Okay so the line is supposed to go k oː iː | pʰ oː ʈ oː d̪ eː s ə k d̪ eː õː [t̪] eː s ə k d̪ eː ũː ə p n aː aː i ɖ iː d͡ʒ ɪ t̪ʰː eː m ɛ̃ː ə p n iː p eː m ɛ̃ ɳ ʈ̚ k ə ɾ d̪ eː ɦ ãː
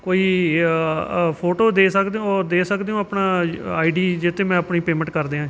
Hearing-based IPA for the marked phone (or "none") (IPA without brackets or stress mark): d̪